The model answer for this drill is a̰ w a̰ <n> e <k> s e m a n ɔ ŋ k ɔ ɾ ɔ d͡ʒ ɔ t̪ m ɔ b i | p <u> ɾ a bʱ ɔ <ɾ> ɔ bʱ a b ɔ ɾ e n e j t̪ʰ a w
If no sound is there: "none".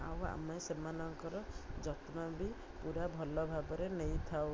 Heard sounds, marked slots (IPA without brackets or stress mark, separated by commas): m, none, u, l